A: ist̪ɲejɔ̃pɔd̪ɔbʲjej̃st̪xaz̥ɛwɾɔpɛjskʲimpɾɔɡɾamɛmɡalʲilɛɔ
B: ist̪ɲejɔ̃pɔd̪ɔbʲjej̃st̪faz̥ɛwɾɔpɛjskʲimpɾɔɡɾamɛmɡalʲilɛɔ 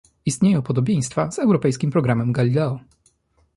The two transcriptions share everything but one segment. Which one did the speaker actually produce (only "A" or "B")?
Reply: B